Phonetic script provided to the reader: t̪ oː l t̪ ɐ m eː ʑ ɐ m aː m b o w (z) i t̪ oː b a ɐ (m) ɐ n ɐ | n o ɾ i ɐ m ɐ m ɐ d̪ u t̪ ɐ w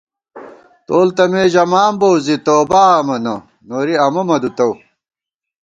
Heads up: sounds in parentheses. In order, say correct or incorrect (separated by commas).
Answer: correct, correct